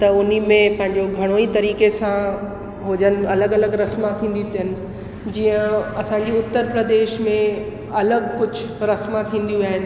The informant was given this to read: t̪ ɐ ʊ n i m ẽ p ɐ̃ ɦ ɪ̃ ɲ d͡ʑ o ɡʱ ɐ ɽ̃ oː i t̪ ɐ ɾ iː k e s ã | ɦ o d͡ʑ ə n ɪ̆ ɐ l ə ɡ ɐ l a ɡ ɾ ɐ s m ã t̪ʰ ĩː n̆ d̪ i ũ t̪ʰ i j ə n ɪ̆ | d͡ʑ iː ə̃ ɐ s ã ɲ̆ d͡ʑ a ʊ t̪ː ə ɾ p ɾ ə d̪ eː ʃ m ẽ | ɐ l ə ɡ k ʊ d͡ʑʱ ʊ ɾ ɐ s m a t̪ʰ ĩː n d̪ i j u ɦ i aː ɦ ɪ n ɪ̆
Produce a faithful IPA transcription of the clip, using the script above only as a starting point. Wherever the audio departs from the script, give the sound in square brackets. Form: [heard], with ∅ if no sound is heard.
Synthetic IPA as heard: t̪ ɐ ʊ n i m ẽ p ɐ̃ ɦ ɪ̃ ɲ d͡ʑ o ɡʱ ɐ ɽ̃ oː i t̪ ɐ ɾ iː k e s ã | ɦ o d͡ʑ ə n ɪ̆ ɐ l ə ɡ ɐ l [ə] ɡ ɾ ɐ s m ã t̪ʰ ĩː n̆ d̪ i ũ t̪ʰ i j ə n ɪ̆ | d͡ʑ iː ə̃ ɐ s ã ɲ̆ d͡ʑ [i] ʊ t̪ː ə ɾ p ɾ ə d̪ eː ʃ m ẽ | ɐ l ə ɡ k ʊ d͡ʑʱ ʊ ɾ ɐ s m a t̪ʰ ĩː n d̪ i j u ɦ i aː ɦ ɪ n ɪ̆